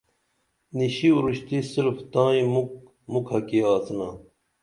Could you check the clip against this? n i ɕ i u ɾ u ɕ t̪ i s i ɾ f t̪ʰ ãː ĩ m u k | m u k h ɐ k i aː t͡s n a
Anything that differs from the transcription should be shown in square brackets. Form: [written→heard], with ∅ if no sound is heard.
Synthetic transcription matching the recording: n i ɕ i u ɾ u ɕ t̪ i s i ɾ f [t̪ʰ→t̪] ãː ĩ m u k | m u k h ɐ k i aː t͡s n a